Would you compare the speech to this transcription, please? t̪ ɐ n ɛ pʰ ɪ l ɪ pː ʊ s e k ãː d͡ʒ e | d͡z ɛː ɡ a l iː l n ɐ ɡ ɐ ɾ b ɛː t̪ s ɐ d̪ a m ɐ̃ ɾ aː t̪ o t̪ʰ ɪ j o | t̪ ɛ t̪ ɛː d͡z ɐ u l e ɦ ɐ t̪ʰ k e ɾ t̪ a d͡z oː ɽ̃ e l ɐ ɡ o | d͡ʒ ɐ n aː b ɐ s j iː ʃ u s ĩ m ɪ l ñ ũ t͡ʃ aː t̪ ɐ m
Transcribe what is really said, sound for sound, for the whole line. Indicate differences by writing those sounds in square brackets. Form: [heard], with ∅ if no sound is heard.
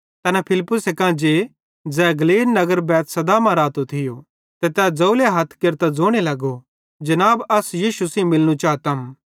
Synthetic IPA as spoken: t̪ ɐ n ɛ pʰ ɪ l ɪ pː ʊ s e k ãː d͡ʒ e | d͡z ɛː ɡ [ɐ] l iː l n ɐ ɡ [ə] ɾ b ɛː t̪ s ɐ d̪ a m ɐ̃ ɾ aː t̪ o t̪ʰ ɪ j o | t̪ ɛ t̪ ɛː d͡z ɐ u l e ɦ ɐ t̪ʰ k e ɾ t̪ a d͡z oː ɽ̃ e l ɐ ɡ o | d͡ʒ ɐ n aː b ɐ s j iː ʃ u s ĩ m ɪ l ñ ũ t͡ʃ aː t̪ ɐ m